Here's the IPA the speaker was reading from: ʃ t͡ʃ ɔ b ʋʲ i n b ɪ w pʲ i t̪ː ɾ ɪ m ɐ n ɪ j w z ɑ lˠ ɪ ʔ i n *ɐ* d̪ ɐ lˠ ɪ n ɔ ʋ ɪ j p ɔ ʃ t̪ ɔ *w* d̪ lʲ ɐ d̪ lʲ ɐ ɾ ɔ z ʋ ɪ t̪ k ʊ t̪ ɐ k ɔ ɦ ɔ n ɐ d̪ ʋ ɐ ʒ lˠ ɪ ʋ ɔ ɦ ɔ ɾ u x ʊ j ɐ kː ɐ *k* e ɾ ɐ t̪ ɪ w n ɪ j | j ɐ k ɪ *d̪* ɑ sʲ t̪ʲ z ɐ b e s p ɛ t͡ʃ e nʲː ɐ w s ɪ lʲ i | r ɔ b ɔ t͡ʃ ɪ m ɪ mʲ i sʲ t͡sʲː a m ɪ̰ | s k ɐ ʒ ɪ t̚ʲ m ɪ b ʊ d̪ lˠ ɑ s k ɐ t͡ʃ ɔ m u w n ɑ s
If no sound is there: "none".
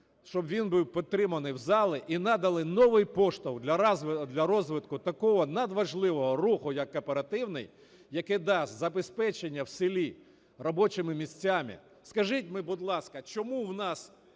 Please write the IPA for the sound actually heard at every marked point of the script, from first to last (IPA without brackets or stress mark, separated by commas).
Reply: ɑ, w, p, d̪